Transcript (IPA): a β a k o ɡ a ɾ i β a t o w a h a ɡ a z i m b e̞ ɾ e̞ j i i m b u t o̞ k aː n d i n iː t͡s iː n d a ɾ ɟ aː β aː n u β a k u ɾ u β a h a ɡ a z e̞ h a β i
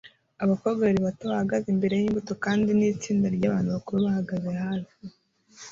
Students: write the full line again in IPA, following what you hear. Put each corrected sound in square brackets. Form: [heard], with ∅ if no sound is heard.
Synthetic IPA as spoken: a β a k o ɡ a ɾ i β a t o [β] a h a ɡ a z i m b e̞ ɾ e̞ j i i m b u t o̞ k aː n d i n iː t͡s iː n d a ɾ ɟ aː β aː n u β a k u ɾ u β a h a ɡ a z e̞ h a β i